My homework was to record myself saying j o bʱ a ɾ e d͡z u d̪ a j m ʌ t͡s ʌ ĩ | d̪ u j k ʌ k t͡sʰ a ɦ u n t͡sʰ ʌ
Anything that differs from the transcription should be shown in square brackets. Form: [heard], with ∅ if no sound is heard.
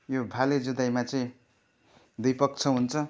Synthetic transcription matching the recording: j o bʱ a [l] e d͡z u d̪ a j m [a] t͡s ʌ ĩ | d̪ u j [p] ʌ k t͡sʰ [ʌ] ɦ u n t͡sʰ ʌ